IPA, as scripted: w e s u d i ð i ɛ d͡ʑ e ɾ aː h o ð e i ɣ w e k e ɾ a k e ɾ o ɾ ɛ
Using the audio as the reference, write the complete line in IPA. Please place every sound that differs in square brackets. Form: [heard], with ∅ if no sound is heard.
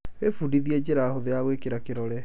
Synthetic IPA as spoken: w e [f] u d i ð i ɛ d͡ʑ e ɾ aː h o ð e [a] ɣ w e k e ɾ a k e ɾ [ɔ] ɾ ɛ